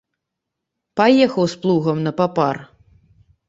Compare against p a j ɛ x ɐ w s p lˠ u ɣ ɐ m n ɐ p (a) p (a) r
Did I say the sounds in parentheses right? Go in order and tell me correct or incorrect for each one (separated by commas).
correct, correct